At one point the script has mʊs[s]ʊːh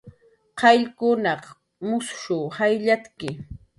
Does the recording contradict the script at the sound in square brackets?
yes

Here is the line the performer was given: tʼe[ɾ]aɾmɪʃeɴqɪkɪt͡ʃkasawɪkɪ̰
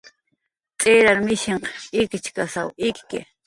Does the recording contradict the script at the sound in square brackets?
no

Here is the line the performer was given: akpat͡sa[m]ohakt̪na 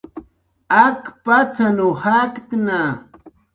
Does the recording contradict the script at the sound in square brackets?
yes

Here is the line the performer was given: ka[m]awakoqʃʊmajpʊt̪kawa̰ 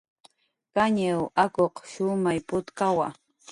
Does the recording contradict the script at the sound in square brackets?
yes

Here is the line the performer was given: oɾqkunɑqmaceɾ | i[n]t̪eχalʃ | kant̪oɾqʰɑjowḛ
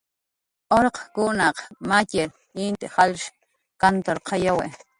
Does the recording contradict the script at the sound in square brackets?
no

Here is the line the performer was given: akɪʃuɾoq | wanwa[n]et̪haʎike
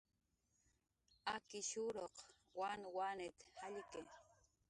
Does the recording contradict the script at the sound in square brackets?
no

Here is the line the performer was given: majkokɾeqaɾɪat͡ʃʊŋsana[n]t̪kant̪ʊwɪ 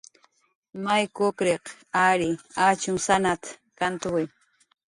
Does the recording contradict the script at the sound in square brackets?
yes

